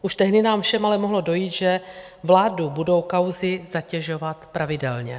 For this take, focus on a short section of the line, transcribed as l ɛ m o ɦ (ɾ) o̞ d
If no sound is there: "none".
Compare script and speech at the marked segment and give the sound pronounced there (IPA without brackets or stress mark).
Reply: l